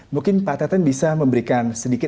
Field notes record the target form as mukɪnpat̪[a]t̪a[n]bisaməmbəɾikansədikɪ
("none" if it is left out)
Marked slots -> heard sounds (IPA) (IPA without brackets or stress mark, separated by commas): a, n